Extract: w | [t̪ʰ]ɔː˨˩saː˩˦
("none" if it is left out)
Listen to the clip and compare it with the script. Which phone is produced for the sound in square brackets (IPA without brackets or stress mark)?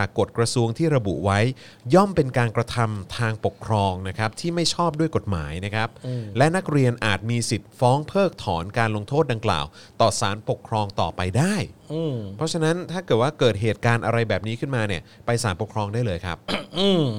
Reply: t̪